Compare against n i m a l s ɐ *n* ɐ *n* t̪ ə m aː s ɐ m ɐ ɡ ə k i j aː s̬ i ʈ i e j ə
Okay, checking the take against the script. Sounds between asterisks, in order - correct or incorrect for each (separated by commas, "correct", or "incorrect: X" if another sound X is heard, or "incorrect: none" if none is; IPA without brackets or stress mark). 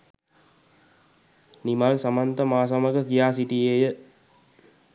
incorrect: m, correct